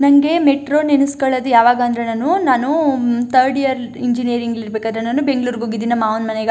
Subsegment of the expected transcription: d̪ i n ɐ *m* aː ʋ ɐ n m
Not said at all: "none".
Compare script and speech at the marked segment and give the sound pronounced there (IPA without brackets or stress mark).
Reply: m